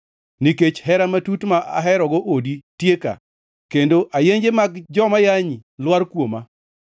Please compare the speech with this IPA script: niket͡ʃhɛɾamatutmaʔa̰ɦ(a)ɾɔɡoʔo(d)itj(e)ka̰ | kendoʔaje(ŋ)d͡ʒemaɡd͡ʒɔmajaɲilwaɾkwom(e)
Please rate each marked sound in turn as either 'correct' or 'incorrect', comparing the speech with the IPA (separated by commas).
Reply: incorrect, correct, correct, incorrect, incorrect